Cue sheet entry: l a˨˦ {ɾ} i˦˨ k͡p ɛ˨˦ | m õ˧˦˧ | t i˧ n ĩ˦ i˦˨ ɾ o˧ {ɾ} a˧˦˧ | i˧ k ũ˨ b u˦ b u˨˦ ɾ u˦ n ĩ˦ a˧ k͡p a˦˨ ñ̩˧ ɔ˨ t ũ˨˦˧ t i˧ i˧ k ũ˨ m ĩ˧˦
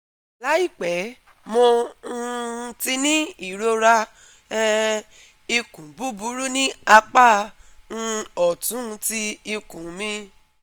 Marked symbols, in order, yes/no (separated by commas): no, yes